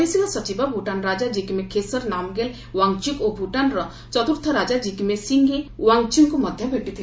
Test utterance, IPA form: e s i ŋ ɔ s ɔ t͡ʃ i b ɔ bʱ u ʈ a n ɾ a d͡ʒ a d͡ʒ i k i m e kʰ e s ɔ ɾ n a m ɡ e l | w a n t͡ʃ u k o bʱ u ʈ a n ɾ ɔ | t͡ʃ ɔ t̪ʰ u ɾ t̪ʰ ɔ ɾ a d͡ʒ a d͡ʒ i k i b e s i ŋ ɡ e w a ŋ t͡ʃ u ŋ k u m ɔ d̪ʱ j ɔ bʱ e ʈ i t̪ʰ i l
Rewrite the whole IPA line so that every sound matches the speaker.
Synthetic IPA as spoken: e s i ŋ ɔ s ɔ t͡ʃ i b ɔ bʱ u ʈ a n ɾ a d͡ʒ a d͡ʒ i k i m e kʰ e s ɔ ɾ n a m ɡ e l | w a ŋ t͡ʃ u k o bʱ u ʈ a n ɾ ɔ | t͡ʃ ɔ t̪ u ɾ t̪ʰ ɔ ɾ a d͡ʒ a d͡ʒ i k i m e s i ŋ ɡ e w a ŋ t͡ʃ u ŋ k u m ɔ d̪ʱ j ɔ bʱ e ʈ i t̪ʰ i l